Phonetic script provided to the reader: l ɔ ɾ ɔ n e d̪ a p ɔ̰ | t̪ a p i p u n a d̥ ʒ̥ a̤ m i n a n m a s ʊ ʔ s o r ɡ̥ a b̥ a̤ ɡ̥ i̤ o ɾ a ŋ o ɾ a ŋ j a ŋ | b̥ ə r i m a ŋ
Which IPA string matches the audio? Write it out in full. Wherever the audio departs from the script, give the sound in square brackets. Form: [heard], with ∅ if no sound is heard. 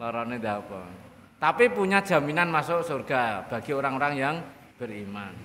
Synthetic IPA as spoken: l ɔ ɾ ɔ n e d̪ a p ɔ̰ | t̪ a p i p u [ɲ] a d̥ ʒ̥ a̤ m i n a n m a s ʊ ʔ s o r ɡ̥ a b̥ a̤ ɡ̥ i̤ o ɾ a ŋ o ɾ a ŋ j a ŋ | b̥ ə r i m a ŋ

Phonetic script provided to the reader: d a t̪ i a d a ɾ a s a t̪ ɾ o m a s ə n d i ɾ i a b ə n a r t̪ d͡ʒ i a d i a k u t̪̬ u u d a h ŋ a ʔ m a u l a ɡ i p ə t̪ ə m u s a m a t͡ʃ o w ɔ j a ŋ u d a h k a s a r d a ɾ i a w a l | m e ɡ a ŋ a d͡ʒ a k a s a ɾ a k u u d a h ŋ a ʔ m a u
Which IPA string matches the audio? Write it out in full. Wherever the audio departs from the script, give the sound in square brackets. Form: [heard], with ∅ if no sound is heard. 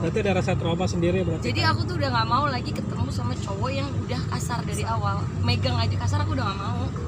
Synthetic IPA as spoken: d a t̪ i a d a ɾ a s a t̪ ɾ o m a s ə n d i ɾ i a b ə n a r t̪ d͡ʒ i a d i a k u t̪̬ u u d a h ŋ a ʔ m a u l a ɡ i [k] ə t̪ ə m u s a m a t͡ʃ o w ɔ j a ŋ u d a h k a s a r d a ɾ i a w a l | m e ɡ a ŋ a d͡ʒ a k a s a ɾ a k u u d a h ŋ a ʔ m a u

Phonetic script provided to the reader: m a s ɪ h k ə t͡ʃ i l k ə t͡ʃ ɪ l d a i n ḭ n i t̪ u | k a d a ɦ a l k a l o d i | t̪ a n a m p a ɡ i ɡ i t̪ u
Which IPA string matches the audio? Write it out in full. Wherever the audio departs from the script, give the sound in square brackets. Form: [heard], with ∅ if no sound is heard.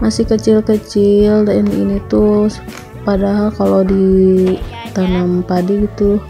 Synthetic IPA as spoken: m a s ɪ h k ə t͡ʃ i l k ə t͡ʃ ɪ l d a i n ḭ n i t̪ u | [p] a d a ɦ a l k a l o d i | t̪ a n a m p a [d] i ɡ i t̪ u

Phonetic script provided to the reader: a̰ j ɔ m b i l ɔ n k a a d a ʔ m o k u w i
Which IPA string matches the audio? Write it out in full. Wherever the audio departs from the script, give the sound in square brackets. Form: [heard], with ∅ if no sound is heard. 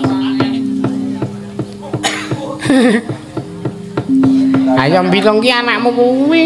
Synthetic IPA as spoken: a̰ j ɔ m b i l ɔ [ŋ] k [i] a [n] a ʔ m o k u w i

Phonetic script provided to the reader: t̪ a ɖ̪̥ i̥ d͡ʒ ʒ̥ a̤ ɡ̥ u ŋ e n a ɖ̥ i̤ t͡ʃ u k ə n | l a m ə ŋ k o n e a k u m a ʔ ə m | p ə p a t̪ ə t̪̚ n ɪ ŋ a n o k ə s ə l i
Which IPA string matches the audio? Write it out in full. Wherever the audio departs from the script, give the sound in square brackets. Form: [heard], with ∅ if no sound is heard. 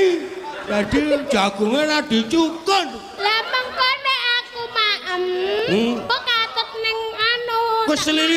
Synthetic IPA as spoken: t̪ a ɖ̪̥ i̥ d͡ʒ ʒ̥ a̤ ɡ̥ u ŋ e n a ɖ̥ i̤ t͡ʃ u k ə n | l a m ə ŋ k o n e a k u m a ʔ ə m | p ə [k] a t̪ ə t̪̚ n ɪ ŋ a n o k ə s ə l i

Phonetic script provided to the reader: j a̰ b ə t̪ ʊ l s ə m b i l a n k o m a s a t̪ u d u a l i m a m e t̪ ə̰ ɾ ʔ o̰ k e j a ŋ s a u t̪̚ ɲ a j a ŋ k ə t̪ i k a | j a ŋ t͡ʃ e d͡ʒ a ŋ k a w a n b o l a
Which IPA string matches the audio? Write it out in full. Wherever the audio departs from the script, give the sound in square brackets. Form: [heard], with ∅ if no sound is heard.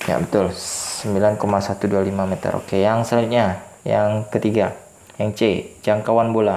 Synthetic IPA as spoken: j a̰ b ə t̪ ʊ l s ə m b i l a n k o m a s a t̪ u d u a l i m a m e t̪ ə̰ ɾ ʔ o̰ k e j a ŋ s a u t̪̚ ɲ a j a ŋ k ə t̪ i [ɡ] a | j a ŋ t͡ʃ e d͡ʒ a ŋ k a w a n b o l a

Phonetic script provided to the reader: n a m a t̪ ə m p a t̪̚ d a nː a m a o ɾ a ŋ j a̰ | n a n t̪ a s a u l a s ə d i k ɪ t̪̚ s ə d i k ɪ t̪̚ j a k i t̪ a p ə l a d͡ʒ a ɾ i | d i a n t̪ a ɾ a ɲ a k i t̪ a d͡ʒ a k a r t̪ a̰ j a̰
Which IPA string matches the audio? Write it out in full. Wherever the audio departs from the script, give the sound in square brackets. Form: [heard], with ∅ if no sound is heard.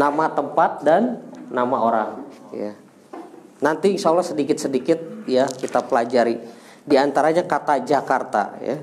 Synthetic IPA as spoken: n a m a t̪ ə m p a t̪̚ d a nː a m a o ɾ a ŋ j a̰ | n a n t̪ [i] s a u l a s ə d i k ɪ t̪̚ s ə d i k ɪ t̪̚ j a k i t̪ a p ə l a d͡ʒ a ɾ i | d i a n t̪ a ɾ a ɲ a k [a] t̪ a d͡ʒ a k a r t̪ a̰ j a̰

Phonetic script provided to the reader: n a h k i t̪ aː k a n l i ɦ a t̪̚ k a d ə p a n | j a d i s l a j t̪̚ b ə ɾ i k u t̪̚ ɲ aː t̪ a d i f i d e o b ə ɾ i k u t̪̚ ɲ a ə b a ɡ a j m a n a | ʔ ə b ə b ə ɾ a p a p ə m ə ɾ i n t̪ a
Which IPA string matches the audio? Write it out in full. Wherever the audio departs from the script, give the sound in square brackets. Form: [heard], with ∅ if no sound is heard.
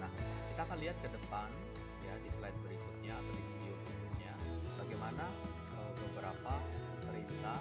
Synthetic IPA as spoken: n a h k i t̪ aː k a n l i ɦ a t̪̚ k [ə] d ə p a n | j a d i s l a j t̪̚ b ə ɾ i k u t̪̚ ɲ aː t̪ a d i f i d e o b ə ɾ i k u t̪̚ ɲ a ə b a ɡ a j m a n a | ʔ ə b ə b ə ɾ a p a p ə m ə ɾ i n t̪ a

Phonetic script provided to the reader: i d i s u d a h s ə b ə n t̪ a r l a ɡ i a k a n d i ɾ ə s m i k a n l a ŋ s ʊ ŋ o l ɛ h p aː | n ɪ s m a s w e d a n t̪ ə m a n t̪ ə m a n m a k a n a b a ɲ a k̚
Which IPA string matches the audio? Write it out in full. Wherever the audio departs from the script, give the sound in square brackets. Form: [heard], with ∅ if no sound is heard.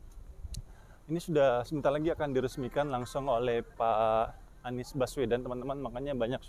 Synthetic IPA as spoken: i [n] i s u d a h s ə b ə n t̪ a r l a ɡ i a k a n d i ɾ ə s m i k a n l a ŋ s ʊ ŋ o l ɛ h p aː | n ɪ s [b] a s w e d a n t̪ ə m a n t̪ ə m a n m a k a [ɲ] a b a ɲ a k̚

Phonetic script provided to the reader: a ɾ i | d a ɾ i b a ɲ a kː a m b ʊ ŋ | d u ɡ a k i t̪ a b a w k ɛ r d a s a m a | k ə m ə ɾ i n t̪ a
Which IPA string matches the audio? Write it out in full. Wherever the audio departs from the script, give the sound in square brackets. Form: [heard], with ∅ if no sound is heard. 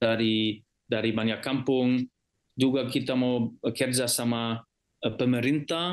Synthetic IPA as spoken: a ɾ i | d a ɾ i b a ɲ a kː a m [p] ʊ ŋ | [d͡ʒ] u ɡ a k i t̪ a [m] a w k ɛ r [d͡ʒ] a s a m a | [p] ə m ə ɾ i n t̪ a

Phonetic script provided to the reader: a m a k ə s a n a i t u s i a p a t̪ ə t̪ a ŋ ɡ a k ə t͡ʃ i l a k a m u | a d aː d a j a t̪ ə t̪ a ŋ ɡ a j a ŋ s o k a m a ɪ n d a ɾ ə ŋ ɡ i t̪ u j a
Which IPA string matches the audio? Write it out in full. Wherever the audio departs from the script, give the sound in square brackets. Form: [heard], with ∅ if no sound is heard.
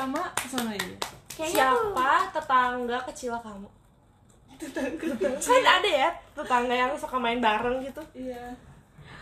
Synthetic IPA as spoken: a m a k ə s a n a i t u s i a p a t̪ ə t̪ a ŋ ɡ a k ə t͡ʃ i l a k a m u | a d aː d a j a t̪ ə t̪ a ŋ ɡ a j a ŋ s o k a m a ɪ n [b] a ɾ ə ŋ ɡ i t̪ u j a

